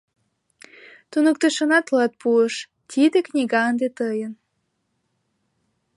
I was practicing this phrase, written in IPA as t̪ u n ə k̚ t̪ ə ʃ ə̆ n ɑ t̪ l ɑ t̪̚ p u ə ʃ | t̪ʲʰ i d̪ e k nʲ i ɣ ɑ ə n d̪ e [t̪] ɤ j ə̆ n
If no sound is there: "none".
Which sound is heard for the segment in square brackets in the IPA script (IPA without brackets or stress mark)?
t̪